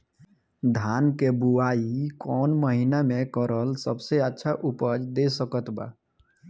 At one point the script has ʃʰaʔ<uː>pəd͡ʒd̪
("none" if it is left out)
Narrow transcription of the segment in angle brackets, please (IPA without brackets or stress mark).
u